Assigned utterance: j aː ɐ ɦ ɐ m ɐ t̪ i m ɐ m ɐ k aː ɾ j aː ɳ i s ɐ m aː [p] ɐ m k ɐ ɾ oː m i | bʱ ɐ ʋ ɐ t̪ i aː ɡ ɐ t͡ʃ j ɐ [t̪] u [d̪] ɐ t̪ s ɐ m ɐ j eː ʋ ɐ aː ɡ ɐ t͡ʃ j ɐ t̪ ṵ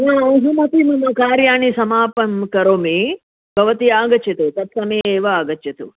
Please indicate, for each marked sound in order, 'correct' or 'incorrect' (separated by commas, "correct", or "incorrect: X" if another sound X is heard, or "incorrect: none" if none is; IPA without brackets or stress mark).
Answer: correct, correct, incorrect: t̪